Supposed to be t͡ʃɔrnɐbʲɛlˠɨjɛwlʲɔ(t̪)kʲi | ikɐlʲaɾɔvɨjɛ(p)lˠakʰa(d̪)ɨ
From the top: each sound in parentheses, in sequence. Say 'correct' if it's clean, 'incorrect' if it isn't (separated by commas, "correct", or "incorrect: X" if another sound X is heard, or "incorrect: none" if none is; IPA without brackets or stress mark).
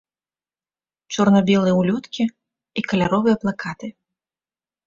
correct, correct, incorrect: t̪